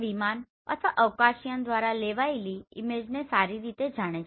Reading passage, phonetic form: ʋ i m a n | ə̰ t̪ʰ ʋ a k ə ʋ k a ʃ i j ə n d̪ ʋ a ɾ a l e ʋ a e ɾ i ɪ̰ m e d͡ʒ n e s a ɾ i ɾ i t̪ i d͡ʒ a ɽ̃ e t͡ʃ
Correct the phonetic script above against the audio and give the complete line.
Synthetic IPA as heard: ʋ i m a n | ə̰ t̪ʰ ʋ a ʔ ə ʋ k a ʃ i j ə n d̪ ʋ a ɾ a l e ʋ a e l i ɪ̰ m e d͡ʒ n e s a ɾ i ɾ i t̪ e d͡ʒ a ɽ̃ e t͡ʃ